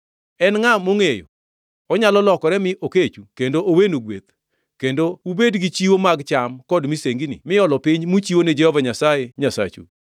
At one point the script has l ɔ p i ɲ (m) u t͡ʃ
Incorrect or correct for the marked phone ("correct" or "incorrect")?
correct